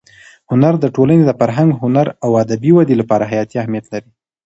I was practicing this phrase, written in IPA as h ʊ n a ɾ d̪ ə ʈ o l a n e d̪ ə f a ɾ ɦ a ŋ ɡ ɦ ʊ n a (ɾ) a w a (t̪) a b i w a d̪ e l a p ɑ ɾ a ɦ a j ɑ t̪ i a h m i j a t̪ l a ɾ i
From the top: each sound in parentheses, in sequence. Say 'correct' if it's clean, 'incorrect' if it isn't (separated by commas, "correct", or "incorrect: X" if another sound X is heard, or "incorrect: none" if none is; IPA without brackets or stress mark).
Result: correct, incorrect: d̪